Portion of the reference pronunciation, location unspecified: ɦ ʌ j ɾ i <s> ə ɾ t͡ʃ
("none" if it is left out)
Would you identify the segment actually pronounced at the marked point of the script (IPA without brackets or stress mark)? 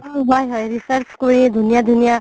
s